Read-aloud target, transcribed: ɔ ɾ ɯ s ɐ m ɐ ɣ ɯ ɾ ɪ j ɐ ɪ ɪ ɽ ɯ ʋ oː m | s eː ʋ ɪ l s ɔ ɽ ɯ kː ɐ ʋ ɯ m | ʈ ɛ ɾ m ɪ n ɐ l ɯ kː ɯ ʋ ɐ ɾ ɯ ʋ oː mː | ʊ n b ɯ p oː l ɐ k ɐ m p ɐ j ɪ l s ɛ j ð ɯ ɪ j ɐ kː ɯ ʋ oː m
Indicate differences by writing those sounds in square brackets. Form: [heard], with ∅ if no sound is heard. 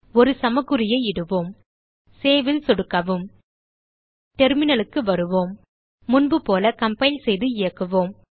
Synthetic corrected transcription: ɔ ɾ ɯ s ɐ m ɐ ɣ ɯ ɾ ɪ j ɐ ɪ ɪ ɽ ɯ ʋ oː m | s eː ʋ ɪ l s ɔ ɽ ɯ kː ɐ ʋ ɯ m | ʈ ɛ ɾ m ɪ n ɐ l ɯ kː ɯ ʋ ɐ ɾ ɯ ʋ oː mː | ʊ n b ɯ p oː l ɐ k ɐ m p ɐ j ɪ l s ɛ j ð ɯ ɪ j ɐ kː ɯ ʋ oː m

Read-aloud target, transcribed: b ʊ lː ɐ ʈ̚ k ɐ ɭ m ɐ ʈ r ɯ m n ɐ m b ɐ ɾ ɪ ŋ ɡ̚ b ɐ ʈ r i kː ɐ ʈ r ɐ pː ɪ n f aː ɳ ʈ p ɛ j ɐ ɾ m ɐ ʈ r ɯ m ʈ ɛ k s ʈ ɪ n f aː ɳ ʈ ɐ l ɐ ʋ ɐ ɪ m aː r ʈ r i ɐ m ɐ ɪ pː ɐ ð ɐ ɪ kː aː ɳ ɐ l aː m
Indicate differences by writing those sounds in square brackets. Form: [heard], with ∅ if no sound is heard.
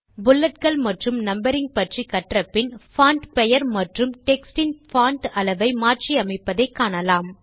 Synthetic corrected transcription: b ʊ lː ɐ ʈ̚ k ɐ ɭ m ɐ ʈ r ɯ m n ɐ m b ɐ ɾ ɪ ŋ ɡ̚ [p] ɐ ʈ r i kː ɐ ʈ r ɐ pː ɪ n f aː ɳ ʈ p ɛ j ɐ ɾ m ɐ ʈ r ɯ m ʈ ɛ k s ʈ ɪ n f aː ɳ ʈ ɐ l ɐ ʋ ɐ ɪ m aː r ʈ r i ɐ m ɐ ɪ pː ɐ ð ɐ ɪ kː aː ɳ ɐ l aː m

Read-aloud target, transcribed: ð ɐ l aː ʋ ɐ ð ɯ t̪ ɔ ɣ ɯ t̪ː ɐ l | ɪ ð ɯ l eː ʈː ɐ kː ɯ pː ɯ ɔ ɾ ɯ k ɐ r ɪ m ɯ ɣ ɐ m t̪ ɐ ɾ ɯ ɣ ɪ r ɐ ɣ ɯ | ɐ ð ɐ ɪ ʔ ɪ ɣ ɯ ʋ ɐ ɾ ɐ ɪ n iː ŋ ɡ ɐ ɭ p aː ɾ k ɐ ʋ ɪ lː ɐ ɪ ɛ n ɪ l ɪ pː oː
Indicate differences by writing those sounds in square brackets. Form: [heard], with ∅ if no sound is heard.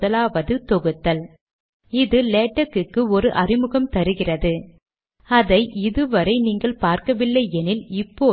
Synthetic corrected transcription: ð ɐ l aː ʋ ɐ ð ɯ t̪ ɔ ɣ ɯ t̪ː ɐ l | ɪ ð ɯ l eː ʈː ɐ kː ɯ [kː] ɯ ɔ ɾ ɯ [ʔ] ɐ r ɪ m ɯ ɣ ɐ m t̪ ɐ ɾ ɯ ɣ ɪ r ɐ [ð] ɯ | ɐ ð ɐ ɪ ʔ ɪ [ð] ɯ ʋ ɐ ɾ ɐ ɪ n iː ŋ ɡ ɐ ɭ p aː ɾ k ɐ ʋ ɪ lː ɐ ɪ ɛ n ɪ l ɪ pː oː

